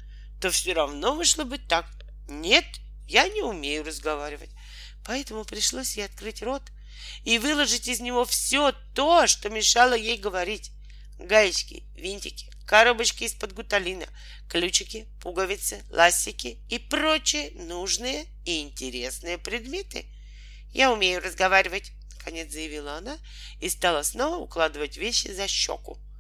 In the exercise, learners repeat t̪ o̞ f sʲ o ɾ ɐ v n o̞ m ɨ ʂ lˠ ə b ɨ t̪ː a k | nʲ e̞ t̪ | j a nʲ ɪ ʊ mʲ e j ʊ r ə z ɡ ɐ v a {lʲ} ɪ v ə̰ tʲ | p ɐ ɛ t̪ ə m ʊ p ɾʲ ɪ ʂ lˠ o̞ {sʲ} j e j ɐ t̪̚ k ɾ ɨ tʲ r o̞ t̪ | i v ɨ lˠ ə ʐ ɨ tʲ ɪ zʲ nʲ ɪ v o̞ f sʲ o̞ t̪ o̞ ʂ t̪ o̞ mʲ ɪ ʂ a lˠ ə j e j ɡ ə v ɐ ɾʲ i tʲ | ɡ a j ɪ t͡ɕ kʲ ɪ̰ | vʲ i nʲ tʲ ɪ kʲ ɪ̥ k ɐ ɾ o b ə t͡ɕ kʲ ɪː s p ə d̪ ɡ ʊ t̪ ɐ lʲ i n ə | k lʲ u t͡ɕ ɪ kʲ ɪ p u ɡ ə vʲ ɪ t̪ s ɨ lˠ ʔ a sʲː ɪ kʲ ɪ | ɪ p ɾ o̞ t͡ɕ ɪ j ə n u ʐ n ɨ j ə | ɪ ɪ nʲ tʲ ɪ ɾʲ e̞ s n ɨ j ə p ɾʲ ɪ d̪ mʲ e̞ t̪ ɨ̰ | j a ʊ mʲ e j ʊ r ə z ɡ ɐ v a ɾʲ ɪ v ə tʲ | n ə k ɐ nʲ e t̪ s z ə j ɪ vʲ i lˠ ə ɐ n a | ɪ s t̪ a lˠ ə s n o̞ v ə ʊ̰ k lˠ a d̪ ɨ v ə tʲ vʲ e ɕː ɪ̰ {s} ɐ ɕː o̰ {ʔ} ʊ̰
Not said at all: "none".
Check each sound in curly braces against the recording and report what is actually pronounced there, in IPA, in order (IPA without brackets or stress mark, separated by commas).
ɾʲ, sʲ, z, k